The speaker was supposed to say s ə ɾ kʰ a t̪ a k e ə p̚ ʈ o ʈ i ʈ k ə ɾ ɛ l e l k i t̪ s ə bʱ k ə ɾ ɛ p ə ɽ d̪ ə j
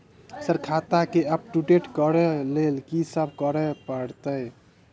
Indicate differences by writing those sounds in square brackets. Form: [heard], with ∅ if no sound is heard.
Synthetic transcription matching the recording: s ə ɾ kʰ a t̪ a k e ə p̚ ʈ [u] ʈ [e] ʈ k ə ɾ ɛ l e l k i [∅] s ə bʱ k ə ɾ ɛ p ə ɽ [t̪] ə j